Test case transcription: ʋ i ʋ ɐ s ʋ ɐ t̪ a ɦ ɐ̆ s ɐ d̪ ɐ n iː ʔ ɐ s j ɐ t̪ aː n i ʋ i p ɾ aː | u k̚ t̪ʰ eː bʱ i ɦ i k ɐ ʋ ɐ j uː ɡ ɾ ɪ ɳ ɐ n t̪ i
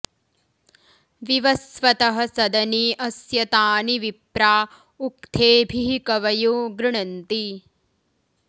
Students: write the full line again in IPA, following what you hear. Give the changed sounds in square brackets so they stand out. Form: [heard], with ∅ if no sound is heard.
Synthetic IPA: ʋ i ʋ ɐ s ʋ ɐ t̪ [ɐ] ɦ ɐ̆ s ɐ d̪ ɐ n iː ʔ ɐ s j ɐ t̪ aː n i ʋ i p ɾ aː | u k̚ t̪ʰ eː bʱ i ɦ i k ɐ ʋ ɐ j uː ɡ ɾ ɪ ɳ ɐ n t̪ i